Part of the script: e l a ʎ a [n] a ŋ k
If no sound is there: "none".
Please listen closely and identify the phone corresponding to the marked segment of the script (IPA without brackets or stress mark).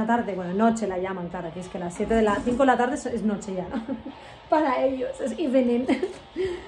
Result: m